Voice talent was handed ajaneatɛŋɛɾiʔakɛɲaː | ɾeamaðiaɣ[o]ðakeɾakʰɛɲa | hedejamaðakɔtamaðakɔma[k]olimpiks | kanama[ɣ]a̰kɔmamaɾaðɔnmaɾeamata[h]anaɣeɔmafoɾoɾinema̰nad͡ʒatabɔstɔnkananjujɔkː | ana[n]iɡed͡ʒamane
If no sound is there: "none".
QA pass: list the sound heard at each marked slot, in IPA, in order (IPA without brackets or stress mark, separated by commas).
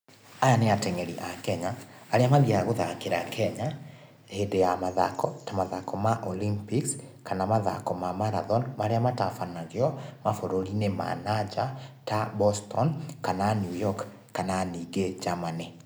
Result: o, ʔ, ð, f, n